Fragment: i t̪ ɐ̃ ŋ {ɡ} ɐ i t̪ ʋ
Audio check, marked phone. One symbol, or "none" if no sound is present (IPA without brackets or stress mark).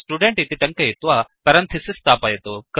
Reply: k